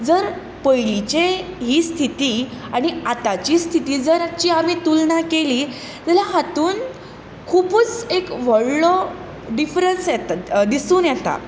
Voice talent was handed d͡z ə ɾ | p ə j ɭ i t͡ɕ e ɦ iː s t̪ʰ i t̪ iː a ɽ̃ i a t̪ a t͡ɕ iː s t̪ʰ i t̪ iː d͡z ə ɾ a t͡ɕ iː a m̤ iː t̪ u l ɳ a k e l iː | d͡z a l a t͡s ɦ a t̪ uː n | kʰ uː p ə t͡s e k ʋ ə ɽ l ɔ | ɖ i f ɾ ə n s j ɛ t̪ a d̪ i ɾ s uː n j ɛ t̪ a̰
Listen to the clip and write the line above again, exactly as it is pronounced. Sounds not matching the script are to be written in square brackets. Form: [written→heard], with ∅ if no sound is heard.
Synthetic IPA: d͡z ə ɾ | p ə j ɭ i t͡ɕ e ɦ iː s t̪ʰ i t̪ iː a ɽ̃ i a t̪ a t͡ɕ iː s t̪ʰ i t̪ iː d͡z ə ɾ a t͡ɕ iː a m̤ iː t̪ u l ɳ a k e l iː | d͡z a l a [t͡s→∅] ɦ a t̪ uː n | kʰ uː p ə t͡s e k ʋ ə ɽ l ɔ | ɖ i f ɾ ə n s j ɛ t̪ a d̪ i [ɾ→∅] s uː n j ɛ t̪ a̰